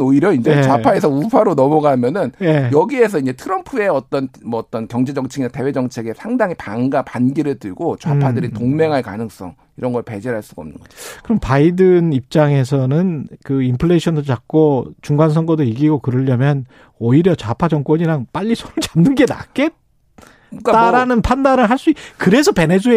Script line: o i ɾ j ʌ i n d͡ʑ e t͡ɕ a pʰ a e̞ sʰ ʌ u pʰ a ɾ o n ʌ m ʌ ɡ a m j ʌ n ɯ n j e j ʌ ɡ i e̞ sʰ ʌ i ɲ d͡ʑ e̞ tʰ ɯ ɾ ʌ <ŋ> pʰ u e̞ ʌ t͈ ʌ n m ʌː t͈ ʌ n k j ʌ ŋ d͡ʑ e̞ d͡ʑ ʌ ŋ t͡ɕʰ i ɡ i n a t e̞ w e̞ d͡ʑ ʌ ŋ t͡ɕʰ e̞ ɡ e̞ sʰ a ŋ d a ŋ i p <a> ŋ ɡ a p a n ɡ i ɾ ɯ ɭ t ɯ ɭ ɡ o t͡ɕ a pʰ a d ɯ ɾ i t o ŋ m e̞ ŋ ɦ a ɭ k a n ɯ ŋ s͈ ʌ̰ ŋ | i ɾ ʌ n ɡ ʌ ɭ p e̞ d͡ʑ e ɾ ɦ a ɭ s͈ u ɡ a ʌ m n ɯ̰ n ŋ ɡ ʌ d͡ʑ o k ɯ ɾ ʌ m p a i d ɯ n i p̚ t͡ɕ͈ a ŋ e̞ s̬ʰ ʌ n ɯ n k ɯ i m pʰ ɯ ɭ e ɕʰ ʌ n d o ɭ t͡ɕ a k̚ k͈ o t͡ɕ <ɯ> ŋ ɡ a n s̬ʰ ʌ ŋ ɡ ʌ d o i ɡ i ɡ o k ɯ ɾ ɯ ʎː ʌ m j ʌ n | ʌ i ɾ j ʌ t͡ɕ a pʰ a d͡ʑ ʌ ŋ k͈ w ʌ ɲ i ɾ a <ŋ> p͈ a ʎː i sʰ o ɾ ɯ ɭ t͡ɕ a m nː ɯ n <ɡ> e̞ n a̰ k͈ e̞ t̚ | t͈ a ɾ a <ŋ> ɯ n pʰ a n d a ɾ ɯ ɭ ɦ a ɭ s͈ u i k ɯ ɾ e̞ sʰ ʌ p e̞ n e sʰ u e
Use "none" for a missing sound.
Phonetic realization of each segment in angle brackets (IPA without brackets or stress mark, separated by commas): m, a, u, ŋ, ɡ, n